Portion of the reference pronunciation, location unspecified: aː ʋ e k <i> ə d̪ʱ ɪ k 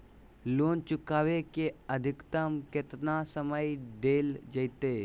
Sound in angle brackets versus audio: incorrect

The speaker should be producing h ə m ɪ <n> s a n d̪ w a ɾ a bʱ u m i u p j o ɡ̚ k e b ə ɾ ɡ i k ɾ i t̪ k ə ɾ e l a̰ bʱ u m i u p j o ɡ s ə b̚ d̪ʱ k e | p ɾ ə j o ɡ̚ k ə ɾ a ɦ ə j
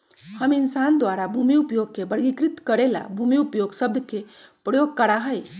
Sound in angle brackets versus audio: correct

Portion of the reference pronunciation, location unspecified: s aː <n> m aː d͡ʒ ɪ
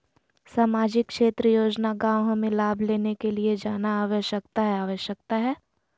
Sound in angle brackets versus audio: incorrect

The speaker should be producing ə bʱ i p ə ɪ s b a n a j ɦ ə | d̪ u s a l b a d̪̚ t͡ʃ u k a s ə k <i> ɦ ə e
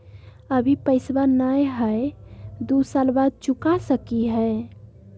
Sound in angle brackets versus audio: correct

